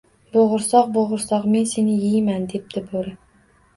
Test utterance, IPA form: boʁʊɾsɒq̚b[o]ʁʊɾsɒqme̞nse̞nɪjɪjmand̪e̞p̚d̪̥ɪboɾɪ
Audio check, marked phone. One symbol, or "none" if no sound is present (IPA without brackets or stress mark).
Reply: o